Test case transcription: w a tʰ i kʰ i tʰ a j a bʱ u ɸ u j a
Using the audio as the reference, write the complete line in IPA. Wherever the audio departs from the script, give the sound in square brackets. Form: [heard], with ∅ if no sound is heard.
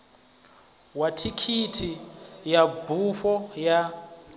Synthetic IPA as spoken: w a tʰ i kʰ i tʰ [i] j a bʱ u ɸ [ɔ] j a